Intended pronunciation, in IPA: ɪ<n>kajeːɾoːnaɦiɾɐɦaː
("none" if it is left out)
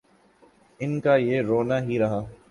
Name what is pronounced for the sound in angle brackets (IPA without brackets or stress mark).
n